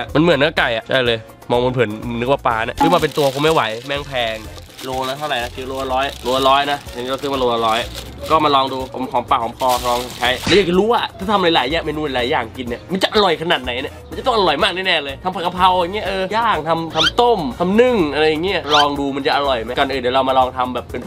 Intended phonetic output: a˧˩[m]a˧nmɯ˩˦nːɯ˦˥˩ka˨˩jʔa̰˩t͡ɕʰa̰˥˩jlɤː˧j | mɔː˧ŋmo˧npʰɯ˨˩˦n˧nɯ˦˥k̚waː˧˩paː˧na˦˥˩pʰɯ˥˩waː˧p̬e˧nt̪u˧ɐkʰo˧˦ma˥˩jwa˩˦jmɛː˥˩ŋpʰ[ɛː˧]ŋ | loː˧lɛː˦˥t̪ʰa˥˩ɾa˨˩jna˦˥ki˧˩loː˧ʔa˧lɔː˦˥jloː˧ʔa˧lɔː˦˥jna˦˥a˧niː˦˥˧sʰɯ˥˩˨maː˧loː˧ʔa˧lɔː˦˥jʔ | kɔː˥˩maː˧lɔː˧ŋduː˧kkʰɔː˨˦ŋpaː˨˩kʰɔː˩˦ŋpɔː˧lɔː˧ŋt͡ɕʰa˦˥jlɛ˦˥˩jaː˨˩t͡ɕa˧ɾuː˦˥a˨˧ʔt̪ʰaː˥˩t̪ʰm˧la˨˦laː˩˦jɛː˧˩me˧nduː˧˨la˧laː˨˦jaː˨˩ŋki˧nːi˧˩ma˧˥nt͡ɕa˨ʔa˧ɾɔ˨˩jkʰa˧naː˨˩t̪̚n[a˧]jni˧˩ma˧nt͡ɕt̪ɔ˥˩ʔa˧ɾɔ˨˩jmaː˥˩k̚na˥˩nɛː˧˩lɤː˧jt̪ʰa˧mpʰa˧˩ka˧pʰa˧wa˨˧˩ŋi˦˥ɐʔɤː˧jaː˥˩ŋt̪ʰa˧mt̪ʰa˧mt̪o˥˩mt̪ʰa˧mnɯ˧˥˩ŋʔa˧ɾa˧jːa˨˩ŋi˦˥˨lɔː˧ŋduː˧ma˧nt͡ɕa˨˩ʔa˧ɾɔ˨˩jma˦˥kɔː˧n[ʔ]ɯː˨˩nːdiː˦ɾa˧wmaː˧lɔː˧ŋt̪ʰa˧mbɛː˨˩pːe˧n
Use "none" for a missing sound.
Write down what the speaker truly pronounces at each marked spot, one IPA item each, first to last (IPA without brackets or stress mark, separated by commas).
m, ɛː˧, a˩˦, ʔ